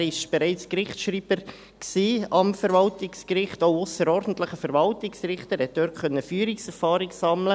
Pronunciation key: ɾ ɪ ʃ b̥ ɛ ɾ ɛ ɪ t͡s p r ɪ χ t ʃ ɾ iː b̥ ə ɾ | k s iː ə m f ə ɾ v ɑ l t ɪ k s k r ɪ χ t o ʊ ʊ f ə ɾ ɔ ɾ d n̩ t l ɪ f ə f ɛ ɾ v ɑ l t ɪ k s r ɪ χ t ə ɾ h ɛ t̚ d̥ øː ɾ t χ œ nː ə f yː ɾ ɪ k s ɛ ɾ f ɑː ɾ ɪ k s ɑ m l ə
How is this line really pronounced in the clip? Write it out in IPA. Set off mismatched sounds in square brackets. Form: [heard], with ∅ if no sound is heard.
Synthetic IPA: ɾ ɪ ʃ b̥ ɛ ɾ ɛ ɪ t͡s [k] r ɪ χ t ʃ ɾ iː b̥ ə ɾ | k s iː [ɑ] m f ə ɾ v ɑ l t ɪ k s k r ɪ χ t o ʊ ʊ [s] ə ɾ ɔ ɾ d n̩ t l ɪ [χ] ə f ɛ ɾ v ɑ l t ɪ k s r ɪ χ t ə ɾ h ɛ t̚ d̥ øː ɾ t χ œ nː ə f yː ɾ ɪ k s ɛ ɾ f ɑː ɾ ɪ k s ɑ m l ə